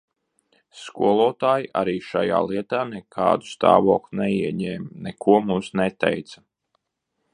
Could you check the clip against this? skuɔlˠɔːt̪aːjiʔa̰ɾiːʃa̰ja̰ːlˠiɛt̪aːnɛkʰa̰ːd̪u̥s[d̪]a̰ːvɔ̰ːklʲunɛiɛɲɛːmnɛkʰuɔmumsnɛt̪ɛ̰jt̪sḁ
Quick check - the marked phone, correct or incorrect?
incorrect